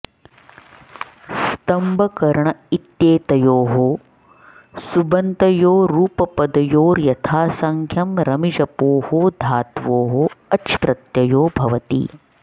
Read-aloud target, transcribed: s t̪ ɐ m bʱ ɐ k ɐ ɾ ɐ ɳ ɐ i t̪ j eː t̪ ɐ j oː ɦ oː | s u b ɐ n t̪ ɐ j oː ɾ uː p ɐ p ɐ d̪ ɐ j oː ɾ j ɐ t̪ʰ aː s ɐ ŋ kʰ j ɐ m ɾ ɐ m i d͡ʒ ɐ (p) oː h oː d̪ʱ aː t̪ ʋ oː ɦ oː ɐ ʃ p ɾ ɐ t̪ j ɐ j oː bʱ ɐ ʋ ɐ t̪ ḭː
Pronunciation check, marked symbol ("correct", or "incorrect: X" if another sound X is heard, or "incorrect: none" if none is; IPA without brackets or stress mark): correct